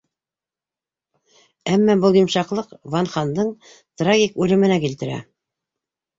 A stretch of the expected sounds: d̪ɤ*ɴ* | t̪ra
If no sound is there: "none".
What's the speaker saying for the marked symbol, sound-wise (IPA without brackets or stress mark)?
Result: ɴ